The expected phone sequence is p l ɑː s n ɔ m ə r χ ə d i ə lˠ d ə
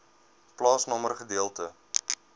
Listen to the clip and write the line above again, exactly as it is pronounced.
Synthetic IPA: p l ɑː s n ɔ m ə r χ ə d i ə lˠ t ə